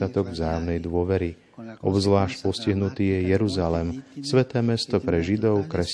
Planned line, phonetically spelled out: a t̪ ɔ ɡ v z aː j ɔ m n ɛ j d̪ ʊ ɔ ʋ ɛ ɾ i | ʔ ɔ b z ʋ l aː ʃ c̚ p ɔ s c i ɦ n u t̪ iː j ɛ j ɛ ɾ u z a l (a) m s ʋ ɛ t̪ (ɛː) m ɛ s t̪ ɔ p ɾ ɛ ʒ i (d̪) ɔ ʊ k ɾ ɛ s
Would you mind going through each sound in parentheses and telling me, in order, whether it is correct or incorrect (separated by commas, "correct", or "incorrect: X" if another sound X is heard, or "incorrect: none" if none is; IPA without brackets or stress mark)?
incorrect: ɛ, correct, correct